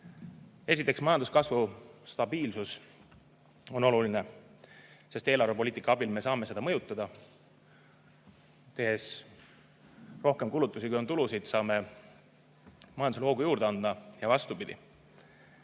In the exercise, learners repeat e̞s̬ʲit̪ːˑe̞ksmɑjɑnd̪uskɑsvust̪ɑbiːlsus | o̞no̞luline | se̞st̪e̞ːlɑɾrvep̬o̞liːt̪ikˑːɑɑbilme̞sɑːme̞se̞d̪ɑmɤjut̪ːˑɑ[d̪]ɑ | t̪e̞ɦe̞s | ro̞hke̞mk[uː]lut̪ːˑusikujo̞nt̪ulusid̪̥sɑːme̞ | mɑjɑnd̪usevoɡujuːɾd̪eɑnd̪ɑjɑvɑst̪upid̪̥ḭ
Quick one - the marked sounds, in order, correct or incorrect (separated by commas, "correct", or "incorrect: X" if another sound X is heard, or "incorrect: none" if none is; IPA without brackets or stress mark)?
correct, incorrect: u